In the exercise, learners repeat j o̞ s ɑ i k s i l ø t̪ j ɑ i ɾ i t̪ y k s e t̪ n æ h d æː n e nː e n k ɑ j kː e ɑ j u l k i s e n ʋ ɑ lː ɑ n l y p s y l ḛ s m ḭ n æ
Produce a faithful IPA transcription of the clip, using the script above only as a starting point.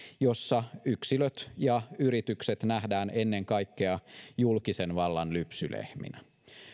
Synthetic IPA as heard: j o̞ sː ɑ y k s i l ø t̪ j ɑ y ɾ i t̪ y k s e t̪ n æ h d æː n e nː e ŋ k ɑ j kː e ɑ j u l k i s e n ʋ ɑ lː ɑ n l y p s y l ḛ h m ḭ n æ